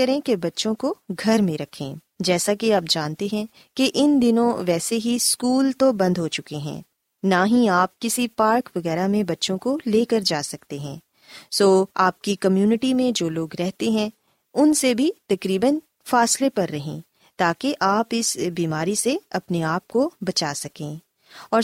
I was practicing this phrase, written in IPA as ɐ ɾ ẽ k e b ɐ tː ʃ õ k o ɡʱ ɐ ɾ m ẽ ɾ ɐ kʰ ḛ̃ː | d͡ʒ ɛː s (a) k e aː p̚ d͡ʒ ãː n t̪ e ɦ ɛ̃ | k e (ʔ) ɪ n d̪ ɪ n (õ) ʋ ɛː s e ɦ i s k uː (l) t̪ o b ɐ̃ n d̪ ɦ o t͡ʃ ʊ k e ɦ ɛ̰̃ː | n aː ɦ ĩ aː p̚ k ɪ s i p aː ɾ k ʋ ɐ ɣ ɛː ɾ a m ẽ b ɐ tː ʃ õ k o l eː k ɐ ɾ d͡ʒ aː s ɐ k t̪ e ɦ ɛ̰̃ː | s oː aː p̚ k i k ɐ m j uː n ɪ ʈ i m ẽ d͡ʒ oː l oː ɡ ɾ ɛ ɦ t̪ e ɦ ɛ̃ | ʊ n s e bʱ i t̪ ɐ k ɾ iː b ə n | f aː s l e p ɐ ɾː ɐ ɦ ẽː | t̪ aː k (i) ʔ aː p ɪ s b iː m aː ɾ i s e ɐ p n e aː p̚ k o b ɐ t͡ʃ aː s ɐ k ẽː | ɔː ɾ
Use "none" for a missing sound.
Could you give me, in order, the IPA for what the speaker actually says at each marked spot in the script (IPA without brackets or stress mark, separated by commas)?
a, ʔ, õ, l, e